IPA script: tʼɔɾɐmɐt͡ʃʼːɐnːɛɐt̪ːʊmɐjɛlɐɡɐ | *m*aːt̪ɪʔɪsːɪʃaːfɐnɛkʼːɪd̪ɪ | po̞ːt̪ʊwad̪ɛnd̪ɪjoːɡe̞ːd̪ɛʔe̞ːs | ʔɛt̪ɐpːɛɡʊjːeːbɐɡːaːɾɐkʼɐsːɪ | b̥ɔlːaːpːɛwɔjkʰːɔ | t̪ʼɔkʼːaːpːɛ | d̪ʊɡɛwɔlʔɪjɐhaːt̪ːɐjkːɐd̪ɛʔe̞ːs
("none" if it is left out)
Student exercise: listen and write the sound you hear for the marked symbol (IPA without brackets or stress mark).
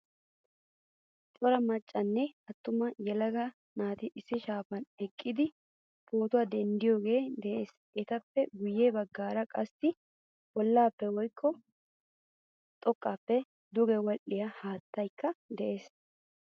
n